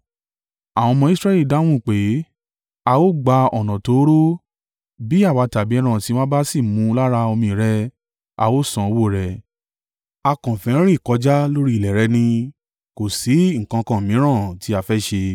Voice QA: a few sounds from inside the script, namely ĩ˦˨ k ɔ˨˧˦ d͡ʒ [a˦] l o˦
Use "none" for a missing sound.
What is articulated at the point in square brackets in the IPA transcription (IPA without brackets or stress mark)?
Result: a˦